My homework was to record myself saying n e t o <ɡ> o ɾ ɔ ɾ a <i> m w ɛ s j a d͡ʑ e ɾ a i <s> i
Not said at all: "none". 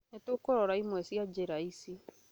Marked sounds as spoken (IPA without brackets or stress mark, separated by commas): k, i, s